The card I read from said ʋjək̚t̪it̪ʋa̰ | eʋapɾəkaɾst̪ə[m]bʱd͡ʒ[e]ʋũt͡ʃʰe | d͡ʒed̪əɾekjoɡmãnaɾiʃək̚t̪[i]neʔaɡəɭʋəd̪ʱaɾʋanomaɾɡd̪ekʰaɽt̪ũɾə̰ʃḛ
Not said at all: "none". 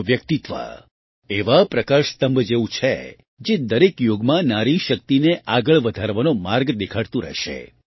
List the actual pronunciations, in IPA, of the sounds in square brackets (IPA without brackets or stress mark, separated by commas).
m, e, i